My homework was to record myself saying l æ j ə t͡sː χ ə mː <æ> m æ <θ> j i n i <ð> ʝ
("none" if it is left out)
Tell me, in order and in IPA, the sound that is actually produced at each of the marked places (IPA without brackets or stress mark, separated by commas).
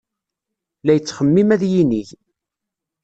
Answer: i, ð, none